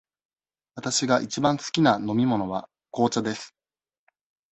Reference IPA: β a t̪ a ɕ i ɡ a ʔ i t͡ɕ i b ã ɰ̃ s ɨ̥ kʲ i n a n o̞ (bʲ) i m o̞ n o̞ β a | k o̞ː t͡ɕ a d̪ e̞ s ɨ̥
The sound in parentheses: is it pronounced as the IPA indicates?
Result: no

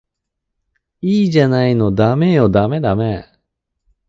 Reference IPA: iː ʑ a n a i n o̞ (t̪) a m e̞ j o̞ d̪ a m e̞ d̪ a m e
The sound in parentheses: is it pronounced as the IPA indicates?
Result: no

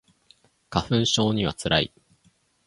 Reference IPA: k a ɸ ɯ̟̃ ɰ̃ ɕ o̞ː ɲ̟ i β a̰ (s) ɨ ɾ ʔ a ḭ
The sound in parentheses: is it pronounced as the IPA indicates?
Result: no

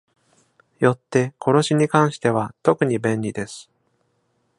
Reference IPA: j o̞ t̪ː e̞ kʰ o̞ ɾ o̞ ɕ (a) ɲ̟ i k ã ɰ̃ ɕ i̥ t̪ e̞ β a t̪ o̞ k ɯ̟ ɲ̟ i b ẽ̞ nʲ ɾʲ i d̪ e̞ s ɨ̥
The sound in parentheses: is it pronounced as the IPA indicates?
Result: no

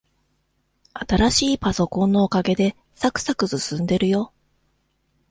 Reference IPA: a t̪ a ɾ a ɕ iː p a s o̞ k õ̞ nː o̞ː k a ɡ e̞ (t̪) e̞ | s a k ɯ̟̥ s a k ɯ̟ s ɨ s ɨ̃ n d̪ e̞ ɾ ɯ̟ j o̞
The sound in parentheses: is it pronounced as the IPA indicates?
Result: no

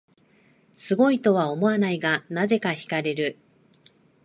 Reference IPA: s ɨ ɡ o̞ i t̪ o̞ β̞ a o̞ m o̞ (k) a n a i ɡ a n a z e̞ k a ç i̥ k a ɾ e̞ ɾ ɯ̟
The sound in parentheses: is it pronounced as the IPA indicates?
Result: no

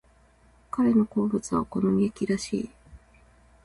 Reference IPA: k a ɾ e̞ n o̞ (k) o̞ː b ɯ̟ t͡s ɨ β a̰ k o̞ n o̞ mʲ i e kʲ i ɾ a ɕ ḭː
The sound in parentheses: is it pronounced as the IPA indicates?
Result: yes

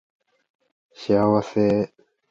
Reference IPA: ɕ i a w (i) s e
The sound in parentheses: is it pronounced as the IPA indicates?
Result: no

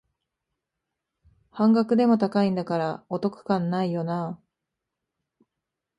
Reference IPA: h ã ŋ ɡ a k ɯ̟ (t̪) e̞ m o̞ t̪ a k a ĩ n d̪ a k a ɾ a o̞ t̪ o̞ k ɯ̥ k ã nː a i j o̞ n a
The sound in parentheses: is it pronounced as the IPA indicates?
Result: no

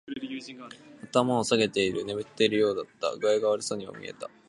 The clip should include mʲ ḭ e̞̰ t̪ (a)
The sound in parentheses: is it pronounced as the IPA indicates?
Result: yes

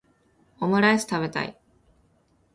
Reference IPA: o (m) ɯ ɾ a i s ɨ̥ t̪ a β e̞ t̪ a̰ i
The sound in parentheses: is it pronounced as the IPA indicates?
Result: yes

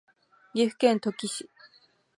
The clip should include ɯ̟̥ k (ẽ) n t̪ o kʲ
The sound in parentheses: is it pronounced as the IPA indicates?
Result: yes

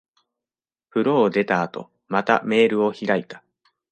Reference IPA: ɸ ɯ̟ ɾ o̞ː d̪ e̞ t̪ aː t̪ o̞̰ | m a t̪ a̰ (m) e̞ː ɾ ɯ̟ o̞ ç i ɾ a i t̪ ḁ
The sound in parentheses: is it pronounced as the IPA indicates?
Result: yes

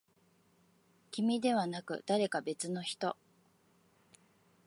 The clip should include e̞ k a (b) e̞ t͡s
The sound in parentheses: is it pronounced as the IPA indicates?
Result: yes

